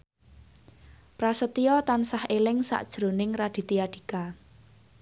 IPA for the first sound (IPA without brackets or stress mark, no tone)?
p